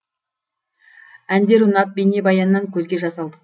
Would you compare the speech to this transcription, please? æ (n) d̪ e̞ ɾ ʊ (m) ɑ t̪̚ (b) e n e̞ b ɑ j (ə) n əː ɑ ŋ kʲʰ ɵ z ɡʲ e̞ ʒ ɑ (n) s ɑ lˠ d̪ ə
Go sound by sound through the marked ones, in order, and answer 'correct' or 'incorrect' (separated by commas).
correct, incorrect, correct, incorrect, incorrect